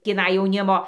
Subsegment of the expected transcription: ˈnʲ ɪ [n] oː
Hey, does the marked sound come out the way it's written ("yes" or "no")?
no